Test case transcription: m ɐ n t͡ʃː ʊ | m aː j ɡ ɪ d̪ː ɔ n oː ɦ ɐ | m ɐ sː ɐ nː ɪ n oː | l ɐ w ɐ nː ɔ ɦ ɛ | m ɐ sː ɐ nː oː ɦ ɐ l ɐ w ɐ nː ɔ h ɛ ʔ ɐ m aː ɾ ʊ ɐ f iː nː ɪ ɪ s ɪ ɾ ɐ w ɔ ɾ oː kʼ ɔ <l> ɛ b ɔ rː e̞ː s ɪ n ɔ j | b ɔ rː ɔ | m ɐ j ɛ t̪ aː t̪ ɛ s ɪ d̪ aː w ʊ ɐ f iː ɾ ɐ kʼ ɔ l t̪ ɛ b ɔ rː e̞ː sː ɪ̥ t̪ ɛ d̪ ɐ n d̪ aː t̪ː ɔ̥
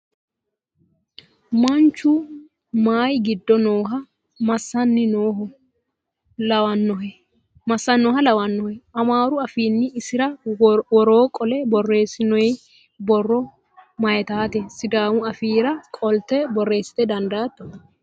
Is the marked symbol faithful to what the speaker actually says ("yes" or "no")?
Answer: yes